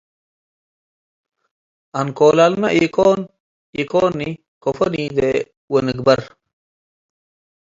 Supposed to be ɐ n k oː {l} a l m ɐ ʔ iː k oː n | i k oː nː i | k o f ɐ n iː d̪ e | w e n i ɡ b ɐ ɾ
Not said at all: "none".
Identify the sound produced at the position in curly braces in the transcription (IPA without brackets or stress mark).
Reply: l